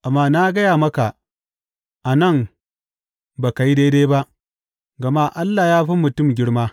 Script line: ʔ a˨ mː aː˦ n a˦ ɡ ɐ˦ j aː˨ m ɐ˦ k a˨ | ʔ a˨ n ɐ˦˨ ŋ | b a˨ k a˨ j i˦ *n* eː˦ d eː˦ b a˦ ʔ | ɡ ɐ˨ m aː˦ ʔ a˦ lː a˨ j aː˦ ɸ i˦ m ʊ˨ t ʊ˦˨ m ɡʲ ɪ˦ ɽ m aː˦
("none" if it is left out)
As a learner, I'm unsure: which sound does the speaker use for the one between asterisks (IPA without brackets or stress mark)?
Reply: d